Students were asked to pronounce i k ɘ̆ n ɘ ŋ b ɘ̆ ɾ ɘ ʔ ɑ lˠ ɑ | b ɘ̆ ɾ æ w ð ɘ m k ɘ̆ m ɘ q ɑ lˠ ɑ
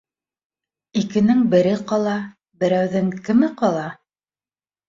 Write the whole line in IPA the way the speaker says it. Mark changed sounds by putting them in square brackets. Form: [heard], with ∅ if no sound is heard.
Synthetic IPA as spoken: i k ɘ̆ n ɘ ŋ b ɘ̆ ɾ ɘ [q] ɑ lˠ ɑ | b ɘ̆ ɾ æ w ð ɘ [ŋ] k ɘ̆ m ɘ q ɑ lˠ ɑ